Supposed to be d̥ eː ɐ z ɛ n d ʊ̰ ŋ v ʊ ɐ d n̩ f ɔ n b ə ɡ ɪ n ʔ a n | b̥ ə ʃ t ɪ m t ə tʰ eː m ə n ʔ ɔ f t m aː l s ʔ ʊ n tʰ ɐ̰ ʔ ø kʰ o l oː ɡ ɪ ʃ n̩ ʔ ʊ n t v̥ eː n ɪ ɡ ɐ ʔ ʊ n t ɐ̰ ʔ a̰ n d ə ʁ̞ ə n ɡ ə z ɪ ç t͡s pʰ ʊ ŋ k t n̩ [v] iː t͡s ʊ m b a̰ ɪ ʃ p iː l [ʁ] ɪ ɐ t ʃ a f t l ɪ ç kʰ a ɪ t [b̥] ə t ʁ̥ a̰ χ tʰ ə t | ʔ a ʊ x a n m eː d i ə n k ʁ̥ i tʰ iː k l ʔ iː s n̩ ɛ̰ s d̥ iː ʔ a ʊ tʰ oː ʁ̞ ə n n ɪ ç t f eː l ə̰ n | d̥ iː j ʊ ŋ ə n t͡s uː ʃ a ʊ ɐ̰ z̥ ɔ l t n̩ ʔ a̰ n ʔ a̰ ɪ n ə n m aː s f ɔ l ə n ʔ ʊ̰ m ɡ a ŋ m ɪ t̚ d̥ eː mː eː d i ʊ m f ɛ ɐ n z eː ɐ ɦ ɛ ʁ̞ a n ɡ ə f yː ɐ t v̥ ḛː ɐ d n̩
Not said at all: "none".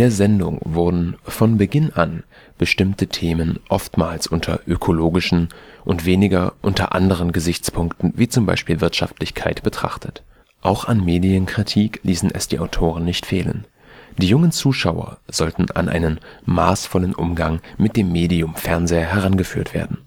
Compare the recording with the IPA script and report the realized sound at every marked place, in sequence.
v, v, b̥

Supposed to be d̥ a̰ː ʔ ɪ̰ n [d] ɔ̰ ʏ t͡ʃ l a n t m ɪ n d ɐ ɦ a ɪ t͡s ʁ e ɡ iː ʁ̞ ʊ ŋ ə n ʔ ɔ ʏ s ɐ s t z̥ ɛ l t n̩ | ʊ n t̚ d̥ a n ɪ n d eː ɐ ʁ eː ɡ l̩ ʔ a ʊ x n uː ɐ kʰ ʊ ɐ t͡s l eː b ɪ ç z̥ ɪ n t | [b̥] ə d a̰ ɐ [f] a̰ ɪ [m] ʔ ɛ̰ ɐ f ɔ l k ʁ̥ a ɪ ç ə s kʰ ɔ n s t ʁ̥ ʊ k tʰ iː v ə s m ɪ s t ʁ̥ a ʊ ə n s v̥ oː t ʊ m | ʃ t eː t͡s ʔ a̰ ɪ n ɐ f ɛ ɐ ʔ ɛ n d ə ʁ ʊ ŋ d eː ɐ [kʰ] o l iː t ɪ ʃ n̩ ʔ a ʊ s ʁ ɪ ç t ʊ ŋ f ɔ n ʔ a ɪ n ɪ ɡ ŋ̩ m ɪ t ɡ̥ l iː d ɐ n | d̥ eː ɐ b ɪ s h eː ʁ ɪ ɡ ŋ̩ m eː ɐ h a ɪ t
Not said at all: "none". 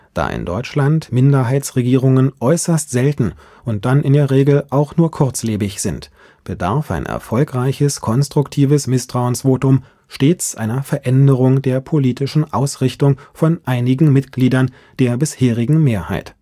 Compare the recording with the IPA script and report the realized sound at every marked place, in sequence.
d, b̥, f, n, pʰ

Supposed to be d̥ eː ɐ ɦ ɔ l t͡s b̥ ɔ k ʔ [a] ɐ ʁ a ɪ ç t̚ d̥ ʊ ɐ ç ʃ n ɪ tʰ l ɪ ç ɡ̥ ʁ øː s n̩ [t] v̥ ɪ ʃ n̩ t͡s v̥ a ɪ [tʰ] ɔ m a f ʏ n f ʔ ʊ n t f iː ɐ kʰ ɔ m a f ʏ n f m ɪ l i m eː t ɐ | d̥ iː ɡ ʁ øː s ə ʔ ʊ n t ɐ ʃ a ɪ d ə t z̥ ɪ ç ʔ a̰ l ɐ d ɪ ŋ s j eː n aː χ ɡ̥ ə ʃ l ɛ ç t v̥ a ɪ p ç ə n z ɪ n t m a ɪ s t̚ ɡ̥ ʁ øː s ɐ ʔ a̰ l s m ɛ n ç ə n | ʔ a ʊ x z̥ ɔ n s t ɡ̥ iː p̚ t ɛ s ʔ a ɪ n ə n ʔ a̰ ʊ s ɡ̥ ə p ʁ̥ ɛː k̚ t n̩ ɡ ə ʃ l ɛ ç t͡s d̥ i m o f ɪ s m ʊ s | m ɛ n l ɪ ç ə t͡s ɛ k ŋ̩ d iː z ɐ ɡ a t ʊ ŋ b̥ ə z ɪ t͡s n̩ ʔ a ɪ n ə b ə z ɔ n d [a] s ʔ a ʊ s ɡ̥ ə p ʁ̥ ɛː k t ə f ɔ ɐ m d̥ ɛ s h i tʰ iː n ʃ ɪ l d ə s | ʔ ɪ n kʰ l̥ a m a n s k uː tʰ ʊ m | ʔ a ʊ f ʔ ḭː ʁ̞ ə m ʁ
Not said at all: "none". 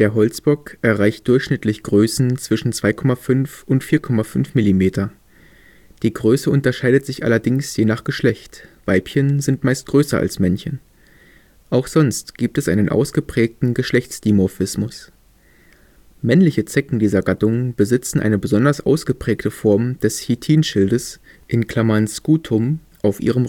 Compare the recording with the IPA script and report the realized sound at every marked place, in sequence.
ɛ, t͡s, kʰ, ɐ

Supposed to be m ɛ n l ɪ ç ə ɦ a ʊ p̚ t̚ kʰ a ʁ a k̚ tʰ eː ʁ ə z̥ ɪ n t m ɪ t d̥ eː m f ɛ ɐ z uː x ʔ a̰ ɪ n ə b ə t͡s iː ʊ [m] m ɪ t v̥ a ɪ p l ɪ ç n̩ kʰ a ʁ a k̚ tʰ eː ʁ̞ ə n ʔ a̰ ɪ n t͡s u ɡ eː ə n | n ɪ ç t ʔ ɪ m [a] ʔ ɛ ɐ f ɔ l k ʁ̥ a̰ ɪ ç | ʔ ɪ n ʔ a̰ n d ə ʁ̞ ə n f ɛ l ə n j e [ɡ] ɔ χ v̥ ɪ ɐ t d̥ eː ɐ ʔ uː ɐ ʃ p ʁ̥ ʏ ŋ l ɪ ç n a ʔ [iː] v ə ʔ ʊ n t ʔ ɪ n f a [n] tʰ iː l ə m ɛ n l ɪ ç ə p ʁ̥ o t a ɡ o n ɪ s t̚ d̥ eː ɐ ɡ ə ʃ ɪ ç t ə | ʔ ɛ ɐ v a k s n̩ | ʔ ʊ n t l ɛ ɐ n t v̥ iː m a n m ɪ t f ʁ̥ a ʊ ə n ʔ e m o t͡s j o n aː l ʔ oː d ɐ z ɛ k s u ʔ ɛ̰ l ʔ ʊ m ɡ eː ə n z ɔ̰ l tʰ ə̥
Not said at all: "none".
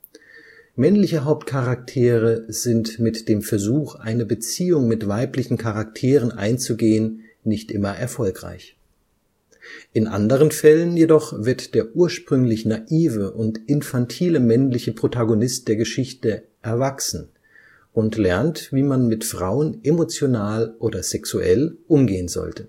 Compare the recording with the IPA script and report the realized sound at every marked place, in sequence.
ŋ, ɐ, d, iː, n

